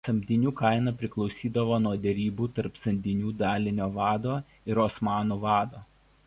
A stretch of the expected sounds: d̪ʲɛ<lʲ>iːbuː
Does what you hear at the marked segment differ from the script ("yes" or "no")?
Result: yes